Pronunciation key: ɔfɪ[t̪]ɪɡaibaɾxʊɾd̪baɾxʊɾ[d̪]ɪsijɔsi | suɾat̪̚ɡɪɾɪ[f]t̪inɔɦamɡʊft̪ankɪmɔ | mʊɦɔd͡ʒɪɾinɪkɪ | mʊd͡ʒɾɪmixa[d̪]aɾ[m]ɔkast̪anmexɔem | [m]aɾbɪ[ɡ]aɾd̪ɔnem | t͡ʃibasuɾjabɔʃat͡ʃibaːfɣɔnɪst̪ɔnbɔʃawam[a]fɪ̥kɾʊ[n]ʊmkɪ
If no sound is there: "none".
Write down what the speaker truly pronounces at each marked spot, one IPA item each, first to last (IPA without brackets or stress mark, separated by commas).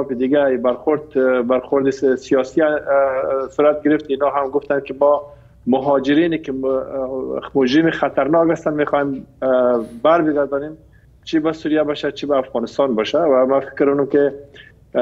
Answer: d̪, d̪, f, t̪, n, b, ɡ, a, n